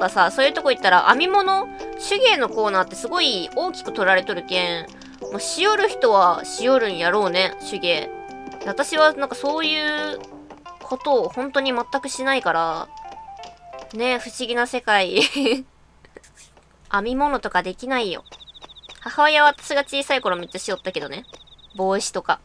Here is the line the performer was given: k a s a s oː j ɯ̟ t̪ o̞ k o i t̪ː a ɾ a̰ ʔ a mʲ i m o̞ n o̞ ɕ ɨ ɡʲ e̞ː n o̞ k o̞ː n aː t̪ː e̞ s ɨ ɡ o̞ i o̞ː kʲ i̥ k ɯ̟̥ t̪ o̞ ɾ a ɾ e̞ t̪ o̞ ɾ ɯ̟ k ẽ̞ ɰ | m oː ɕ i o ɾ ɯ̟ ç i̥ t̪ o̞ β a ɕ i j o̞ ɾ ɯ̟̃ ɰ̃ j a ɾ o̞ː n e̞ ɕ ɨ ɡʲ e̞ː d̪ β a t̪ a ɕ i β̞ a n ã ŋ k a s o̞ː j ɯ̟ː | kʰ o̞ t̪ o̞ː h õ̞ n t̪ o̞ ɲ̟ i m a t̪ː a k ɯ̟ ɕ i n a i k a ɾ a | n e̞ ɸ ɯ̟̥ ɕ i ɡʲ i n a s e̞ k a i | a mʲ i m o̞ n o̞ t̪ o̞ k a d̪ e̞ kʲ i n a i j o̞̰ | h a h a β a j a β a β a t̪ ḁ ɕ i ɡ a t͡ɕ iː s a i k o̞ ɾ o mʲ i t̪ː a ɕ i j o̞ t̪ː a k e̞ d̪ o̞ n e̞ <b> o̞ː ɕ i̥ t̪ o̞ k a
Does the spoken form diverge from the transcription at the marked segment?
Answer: no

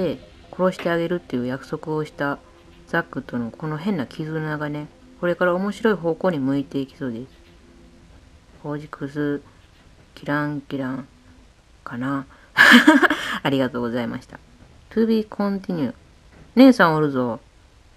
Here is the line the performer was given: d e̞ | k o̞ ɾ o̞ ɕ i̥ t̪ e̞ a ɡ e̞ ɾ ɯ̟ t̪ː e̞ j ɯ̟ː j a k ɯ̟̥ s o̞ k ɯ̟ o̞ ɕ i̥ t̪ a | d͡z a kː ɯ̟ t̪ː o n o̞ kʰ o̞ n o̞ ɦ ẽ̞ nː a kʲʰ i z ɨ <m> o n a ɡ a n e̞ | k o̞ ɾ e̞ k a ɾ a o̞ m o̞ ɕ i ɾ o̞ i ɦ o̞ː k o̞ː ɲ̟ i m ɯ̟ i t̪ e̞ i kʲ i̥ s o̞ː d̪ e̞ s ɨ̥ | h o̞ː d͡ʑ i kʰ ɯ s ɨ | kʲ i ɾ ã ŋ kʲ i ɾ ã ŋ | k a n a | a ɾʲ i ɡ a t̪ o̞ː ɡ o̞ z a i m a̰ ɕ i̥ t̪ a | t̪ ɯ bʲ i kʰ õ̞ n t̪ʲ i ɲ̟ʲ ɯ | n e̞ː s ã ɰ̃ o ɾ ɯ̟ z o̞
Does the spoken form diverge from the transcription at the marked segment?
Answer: yes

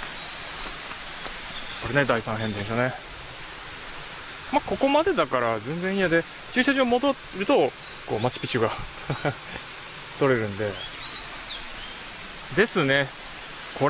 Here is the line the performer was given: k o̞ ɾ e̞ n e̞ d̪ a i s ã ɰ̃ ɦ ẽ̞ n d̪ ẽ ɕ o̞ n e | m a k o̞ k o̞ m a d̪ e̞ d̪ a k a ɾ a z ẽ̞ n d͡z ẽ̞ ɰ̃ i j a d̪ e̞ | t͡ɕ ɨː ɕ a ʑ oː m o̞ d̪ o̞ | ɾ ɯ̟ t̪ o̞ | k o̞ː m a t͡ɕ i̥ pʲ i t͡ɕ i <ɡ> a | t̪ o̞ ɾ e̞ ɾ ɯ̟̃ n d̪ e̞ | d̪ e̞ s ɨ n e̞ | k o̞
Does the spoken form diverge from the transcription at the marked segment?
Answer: no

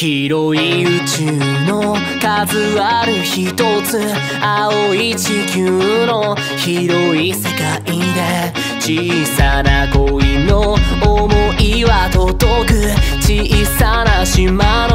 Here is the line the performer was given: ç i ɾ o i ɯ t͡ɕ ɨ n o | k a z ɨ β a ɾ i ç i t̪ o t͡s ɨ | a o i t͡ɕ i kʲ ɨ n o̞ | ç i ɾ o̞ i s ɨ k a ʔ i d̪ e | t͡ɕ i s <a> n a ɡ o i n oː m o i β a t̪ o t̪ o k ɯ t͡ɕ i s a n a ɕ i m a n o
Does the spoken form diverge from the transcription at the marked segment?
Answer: no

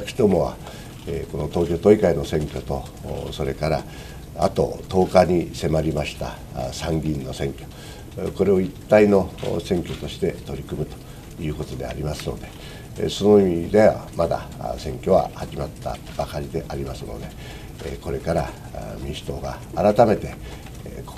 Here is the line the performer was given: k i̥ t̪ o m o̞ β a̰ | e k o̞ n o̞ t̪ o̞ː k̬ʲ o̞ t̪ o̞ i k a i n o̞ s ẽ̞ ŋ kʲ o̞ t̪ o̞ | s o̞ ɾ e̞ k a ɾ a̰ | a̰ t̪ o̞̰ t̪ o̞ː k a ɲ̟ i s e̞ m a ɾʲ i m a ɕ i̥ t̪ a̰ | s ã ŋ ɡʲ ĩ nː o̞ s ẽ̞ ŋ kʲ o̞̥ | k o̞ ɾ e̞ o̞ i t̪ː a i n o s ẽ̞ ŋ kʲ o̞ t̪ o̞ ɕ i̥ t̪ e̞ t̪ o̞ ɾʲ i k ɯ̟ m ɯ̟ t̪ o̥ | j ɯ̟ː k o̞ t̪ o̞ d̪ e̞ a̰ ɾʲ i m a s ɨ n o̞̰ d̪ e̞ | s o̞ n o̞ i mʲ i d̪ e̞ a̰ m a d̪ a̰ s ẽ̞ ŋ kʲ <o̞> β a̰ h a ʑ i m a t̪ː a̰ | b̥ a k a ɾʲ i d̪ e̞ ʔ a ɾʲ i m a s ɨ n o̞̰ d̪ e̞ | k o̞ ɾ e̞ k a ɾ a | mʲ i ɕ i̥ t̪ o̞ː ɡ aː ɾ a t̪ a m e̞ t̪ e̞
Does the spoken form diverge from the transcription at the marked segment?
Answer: no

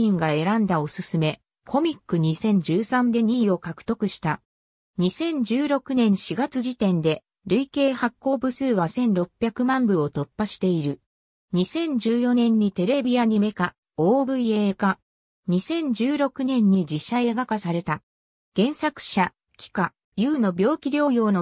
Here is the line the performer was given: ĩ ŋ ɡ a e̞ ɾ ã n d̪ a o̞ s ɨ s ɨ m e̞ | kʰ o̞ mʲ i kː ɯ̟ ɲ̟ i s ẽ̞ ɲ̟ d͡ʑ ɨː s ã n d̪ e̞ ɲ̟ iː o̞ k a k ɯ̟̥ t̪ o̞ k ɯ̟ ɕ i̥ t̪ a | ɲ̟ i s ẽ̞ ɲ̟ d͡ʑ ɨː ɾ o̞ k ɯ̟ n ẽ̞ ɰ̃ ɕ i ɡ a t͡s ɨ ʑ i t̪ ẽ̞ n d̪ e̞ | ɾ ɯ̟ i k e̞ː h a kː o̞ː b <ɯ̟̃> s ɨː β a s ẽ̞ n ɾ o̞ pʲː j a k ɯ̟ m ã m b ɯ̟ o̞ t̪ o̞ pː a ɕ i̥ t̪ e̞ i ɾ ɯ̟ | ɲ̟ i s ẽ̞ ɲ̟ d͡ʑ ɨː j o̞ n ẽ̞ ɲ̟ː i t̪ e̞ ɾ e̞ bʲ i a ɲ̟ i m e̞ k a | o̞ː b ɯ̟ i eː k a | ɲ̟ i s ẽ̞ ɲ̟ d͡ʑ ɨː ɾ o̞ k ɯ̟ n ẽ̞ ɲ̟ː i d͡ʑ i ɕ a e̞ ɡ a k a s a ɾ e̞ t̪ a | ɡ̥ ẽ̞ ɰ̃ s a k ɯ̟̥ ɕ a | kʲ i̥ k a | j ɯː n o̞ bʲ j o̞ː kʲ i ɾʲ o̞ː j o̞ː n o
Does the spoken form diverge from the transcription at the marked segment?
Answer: yes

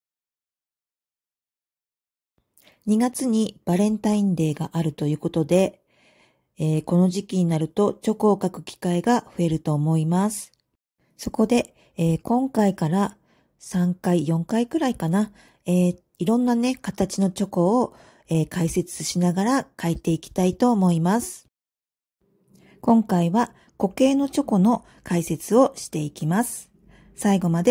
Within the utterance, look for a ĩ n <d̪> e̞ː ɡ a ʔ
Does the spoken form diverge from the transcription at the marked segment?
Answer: no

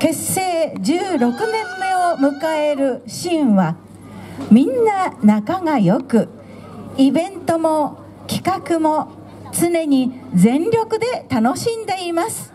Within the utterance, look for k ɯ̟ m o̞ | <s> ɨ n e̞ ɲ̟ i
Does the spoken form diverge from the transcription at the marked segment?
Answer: yes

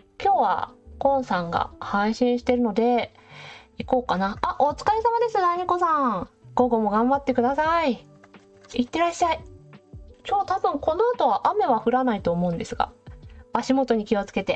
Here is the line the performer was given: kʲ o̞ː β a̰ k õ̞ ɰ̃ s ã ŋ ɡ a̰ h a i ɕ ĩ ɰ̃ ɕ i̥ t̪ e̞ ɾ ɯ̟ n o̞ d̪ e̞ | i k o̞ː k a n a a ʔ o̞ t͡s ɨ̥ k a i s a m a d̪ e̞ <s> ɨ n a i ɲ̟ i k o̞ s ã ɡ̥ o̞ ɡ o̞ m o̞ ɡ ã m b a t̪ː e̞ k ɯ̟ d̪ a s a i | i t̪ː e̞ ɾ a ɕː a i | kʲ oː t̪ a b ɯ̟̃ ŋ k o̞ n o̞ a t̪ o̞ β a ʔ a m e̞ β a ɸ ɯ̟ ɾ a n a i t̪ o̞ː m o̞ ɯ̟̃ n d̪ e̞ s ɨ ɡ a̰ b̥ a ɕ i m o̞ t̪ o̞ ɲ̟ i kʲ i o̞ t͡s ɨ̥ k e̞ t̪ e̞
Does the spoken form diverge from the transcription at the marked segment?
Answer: no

